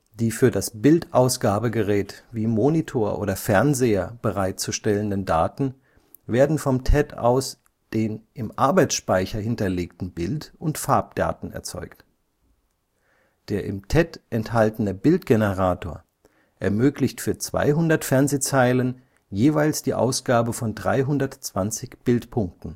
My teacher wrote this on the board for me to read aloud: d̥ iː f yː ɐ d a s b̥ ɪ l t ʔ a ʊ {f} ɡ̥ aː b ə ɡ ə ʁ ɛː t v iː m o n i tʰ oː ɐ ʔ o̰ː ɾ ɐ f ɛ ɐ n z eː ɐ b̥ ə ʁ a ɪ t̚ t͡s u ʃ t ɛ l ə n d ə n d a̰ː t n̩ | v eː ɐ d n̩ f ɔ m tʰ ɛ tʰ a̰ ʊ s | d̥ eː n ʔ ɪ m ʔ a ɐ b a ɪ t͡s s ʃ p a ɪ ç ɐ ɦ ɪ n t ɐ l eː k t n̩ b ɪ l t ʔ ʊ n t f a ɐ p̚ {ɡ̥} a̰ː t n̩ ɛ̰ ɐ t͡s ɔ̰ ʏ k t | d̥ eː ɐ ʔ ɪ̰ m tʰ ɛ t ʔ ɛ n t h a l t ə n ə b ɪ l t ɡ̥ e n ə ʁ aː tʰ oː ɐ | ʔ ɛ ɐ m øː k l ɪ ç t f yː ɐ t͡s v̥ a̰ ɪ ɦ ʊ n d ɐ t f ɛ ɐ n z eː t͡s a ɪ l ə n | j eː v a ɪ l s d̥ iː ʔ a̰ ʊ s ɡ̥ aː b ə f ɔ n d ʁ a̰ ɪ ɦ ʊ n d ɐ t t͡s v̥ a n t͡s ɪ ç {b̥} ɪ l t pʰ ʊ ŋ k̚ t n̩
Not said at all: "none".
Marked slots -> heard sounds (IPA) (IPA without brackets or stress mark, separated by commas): s, d̥, b̥